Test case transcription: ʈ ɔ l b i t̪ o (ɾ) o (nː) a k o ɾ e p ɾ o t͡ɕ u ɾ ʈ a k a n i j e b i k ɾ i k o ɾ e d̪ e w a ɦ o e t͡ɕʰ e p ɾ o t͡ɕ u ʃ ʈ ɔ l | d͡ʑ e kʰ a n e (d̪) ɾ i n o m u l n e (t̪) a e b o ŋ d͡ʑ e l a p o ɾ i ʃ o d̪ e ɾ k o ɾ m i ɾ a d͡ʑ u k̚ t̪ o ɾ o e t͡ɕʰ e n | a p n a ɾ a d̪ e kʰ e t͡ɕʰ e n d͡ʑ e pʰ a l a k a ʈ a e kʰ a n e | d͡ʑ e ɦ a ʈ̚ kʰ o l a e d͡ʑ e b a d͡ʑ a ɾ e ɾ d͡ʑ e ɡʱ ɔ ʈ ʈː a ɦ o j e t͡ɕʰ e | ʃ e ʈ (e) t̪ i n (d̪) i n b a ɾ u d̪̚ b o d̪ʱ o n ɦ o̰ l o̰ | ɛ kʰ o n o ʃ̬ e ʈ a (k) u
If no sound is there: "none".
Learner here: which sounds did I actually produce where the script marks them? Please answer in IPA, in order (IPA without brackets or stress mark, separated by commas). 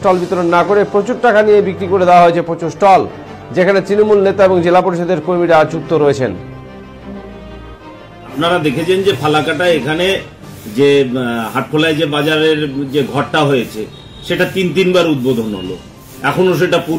ɾ, nː, t̪, t̪, a, t̪, p